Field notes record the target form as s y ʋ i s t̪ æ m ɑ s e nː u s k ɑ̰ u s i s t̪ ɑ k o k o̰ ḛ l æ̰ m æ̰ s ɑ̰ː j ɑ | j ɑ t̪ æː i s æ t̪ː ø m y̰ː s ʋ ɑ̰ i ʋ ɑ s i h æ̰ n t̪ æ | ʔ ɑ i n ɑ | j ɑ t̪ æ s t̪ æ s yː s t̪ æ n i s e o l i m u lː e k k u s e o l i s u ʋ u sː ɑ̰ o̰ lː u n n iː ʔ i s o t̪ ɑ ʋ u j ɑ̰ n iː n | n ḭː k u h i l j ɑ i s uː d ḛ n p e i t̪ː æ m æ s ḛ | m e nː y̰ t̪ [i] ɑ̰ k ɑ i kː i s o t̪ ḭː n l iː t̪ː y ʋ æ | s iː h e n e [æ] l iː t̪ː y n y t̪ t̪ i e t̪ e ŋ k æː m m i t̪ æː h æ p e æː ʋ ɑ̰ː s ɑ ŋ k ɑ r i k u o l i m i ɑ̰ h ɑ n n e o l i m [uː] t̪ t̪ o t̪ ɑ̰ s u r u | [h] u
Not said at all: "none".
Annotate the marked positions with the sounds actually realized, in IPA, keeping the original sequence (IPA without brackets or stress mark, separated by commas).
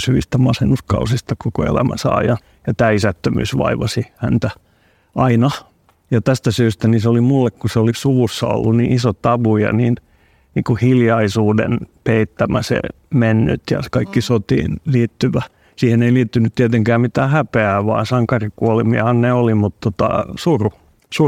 j, i, u, s